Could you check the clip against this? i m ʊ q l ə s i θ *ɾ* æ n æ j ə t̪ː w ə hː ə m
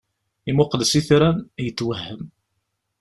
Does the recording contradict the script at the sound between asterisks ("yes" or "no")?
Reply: no